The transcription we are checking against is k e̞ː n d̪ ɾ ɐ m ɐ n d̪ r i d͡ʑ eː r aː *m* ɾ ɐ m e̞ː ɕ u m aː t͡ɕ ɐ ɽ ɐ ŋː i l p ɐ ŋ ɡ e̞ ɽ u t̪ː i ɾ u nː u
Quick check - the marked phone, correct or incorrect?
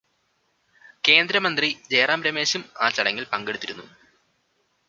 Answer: correct